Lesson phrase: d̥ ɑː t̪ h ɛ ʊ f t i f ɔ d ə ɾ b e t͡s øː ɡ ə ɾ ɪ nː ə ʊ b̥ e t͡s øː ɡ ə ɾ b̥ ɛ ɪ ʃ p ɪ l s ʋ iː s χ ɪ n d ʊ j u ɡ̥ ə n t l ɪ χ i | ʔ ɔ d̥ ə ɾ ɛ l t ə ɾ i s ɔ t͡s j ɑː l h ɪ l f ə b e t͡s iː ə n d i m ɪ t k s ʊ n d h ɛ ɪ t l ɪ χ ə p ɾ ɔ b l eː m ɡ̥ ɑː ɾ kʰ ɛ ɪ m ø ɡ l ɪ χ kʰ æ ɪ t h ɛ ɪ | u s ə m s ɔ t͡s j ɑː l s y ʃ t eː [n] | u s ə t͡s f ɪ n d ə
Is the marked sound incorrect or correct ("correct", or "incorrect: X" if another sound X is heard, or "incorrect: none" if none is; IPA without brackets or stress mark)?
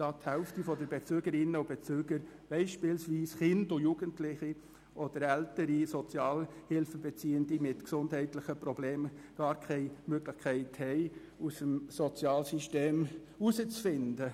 incorrect: m